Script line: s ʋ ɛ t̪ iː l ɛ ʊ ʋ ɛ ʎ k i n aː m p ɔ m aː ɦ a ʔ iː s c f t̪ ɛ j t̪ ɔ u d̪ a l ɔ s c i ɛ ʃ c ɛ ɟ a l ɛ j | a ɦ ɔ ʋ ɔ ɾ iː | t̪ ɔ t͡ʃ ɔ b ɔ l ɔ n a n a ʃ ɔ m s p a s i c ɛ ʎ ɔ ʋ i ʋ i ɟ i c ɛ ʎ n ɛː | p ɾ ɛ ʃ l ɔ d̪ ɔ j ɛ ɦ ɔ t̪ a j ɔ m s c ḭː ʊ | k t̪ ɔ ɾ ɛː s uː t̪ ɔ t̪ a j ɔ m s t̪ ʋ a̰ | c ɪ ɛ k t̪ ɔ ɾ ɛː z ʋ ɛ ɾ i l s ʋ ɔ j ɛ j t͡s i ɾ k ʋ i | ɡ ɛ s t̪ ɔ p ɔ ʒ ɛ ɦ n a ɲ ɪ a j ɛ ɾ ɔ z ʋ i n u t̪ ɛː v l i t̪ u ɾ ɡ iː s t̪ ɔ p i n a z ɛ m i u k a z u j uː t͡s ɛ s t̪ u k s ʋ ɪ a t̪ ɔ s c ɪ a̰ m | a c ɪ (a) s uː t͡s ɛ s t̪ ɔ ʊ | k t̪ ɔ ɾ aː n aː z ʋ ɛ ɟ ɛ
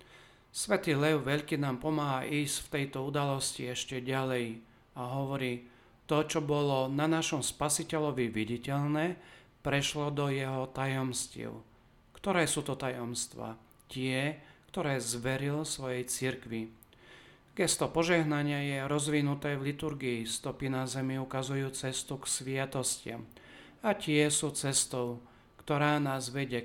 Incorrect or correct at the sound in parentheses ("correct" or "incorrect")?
incorrect